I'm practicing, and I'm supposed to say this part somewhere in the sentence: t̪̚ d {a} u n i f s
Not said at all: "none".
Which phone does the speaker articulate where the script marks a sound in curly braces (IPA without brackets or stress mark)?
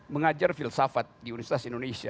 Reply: i